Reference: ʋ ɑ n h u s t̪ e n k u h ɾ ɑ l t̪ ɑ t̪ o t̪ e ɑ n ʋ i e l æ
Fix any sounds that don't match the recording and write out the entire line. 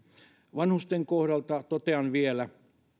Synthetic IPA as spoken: ʋ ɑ n h u s t̪ e ŋ k o h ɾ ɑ l t̪ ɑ t̪ o t̪ e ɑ n ʋ i e l æ